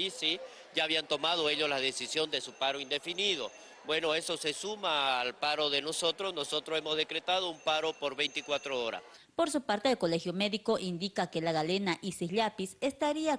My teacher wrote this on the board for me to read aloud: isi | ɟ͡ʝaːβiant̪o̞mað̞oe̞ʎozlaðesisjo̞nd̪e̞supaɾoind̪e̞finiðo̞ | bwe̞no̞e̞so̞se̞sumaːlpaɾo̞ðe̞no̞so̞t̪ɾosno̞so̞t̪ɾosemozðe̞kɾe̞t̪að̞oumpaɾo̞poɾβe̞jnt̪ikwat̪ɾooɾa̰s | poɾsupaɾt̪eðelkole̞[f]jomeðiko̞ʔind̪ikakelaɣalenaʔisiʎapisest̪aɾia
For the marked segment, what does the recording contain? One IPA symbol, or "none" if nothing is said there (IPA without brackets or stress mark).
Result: x